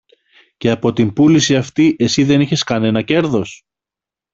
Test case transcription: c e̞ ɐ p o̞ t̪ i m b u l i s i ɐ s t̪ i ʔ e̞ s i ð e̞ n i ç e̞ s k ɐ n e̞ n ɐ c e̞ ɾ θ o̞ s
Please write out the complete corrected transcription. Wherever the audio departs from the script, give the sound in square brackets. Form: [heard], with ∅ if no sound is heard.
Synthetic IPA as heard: c e̞ ɐ p o̞ t̪ i m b u l i s i ɐ [f] t̪ i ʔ e̞ s i ð e̞ n i ç e̞ s k ɐ n e̞ n ɐ c e̞ ɾ [ð] o̞ s